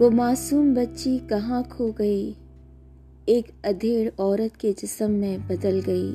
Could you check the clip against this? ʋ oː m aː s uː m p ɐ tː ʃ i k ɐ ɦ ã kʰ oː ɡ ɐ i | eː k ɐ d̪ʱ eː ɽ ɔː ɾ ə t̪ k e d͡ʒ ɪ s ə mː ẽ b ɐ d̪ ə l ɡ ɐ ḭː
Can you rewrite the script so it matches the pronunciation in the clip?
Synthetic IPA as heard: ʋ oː m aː s uː m b ɐ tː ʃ i k ɐ ɦ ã kʰ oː ɡ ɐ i | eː k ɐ d̪ʱ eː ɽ ɔː ɾ ə t̪ k e d͡ʒ ɪ s ə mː ẽ b ɐ d̪ ə l ɡ ɐ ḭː